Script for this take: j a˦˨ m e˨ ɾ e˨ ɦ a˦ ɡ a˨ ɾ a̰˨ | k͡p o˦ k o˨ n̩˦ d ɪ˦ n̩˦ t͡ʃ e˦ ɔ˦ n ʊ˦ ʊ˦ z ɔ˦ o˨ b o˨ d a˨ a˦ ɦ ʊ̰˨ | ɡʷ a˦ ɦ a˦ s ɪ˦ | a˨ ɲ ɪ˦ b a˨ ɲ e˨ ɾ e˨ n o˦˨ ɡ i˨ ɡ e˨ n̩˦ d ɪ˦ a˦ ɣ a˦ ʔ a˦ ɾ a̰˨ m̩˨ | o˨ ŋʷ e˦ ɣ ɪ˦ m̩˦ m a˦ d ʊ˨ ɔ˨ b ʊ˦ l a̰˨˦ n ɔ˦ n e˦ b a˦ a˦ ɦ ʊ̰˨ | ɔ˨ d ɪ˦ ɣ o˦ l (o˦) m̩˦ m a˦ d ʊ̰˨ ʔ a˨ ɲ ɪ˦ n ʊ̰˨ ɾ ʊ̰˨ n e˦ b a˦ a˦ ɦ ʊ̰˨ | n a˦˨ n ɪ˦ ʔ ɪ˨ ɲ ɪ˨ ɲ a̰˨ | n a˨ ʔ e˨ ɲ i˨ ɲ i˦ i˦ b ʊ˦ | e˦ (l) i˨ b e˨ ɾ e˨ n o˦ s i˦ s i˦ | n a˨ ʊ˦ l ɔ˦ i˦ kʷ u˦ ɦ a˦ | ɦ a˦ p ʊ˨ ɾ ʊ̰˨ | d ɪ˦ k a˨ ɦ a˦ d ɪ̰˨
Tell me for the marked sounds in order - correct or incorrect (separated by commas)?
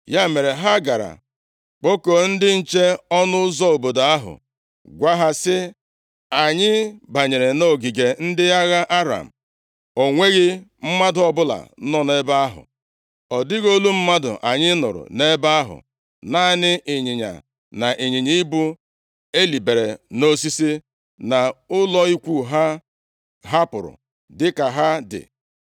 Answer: incorrect, correct